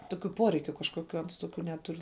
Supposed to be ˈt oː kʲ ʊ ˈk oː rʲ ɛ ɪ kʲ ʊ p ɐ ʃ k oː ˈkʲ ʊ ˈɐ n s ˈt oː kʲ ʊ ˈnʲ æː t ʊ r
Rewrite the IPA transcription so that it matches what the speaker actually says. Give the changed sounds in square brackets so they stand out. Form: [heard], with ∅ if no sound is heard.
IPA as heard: ˈt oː kʲ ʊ [ˈp] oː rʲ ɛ ɪ kʲ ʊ [k] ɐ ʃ k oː ˈkʲ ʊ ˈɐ n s ˈt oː kʲ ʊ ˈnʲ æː t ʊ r